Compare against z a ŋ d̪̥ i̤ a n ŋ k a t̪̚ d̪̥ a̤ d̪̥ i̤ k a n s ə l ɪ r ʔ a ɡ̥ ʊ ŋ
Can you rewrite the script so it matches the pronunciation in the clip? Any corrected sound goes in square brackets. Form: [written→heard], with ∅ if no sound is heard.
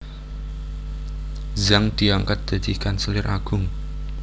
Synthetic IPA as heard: z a ŋ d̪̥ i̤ a [n→∅] ŋ k a t̪̚ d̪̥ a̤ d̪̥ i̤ k a n s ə l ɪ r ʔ a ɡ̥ ʊ ŋ